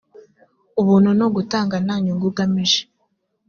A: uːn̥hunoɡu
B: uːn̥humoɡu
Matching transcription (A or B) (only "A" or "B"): A